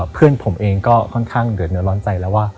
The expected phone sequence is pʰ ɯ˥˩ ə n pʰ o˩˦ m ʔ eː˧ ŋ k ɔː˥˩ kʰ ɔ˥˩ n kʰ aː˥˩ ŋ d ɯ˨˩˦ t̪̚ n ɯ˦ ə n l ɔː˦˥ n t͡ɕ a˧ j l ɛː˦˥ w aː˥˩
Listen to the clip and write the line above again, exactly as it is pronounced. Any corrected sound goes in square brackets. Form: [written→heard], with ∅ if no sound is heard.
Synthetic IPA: pʰ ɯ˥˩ ə n pʰ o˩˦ m ʔ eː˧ ŋ k ɔː˥˩ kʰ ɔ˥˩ n kʰ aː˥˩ ŋ d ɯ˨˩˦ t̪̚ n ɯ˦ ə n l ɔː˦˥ n t͡ɕ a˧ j l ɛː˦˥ w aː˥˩